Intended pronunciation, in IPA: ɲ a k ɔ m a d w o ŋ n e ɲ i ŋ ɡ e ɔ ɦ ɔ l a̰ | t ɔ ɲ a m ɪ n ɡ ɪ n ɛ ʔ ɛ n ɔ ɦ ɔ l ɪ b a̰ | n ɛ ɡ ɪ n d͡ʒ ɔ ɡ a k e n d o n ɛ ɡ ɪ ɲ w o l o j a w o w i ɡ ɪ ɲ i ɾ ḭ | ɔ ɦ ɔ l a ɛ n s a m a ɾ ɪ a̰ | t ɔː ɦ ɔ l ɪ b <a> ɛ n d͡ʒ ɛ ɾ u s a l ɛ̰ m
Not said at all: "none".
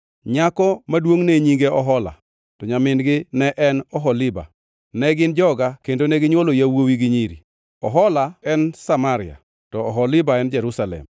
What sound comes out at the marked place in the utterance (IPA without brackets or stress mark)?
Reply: a